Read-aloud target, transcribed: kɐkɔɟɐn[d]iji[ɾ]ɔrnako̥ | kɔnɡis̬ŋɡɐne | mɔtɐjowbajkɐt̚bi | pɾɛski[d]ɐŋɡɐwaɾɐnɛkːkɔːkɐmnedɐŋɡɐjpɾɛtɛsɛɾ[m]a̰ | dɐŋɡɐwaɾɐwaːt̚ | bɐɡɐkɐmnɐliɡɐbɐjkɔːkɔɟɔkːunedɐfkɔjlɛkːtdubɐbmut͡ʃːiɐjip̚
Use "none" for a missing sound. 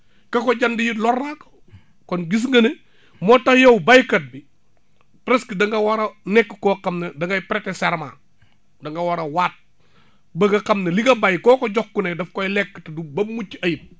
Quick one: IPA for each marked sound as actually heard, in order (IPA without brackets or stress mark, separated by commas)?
d, l, d, m